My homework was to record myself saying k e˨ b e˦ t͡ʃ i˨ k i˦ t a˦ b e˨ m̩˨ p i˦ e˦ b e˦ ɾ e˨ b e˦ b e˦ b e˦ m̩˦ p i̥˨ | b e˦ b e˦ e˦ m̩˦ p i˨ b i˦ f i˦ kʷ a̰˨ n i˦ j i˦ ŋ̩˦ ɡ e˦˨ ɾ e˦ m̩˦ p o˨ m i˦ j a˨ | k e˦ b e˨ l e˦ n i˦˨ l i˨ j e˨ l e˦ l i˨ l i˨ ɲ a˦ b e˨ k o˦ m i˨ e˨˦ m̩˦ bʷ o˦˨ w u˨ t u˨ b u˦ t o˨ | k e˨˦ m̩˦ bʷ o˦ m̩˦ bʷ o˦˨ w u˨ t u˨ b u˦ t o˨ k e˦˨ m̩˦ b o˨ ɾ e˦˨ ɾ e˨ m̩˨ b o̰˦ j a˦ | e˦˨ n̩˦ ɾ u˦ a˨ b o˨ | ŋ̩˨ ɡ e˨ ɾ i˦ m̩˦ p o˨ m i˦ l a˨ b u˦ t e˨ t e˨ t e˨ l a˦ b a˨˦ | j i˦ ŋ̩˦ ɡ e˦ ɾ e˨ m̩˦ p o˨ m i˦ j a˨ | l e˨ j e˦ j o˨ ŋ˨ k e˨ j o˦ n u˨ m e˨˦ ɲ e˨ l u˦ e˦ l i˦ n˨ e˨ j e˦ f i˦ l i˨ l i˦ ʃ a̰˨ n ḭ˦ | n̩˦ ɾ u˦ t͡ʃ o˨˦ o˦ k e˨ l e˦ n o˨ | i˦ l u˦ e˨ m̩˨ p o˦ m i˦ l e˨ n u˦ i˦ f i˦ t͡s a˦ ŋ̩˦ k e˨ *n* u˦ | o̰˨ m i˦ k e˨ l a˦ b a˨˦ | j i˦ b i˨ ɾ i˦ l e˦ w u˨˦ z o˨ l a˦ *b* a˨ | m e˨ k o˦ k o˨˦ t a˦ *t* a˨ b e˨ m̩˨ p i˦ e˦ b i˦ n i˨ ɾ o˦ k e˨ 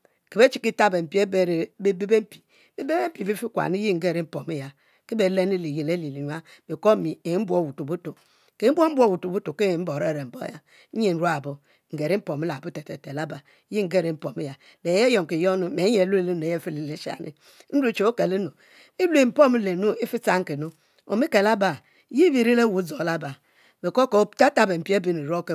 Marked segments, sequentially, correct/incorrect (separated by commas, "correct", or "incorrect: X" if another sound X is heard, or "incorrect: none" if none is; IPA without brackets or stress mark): correct, correct, correct